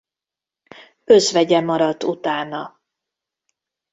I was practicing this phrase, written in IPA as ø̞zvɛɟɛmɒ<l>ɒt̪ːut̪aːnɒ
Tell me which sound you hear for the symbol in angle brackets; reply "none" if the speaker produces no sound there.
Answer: ɾ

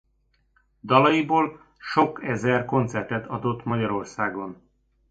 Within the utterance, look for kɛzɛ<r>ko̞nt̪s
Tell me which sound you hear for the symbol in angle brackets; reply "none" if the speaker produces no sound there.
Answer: r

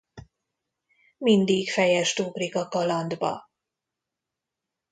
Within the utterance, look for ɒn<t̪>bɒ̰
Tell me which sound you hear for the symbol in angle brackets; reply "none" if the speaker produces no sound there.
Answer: d̪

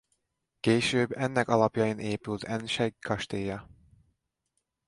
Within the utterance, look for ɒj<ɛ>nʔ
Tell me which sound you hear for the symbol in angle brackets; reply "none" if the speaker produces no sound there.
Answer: i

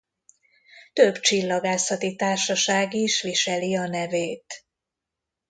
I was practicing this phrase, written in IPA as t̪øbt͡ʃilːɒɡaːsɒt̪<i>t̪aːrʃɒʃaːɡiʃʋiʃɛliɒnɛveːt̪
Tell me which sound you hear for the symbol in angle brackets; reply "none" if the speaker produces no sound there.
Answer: i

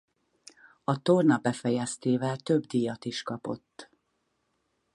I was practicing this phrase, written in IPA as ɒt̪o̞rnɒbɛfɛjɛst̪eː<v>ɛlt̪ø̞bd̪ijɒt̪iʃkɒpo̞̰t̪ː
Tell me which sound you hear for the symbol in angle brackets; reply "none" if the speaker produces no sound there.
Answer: v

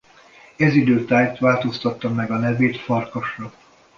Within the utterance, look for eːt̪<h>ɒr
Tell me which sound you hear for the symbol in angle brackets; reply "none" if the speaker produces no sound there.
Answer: f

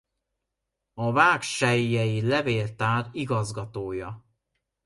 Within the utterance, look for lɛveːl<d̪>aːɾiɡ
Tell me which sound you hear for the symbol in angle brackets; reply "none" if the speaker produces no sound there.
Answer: t̪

